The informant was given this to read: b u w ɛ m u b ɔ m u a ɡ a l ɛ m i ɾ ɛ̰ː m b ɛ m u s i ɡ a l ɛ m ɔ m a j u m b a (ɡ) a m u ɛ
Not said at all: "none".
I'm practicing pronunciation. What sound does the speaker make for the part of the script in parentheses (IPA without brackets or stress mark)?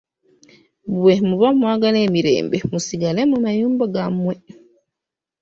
ɡ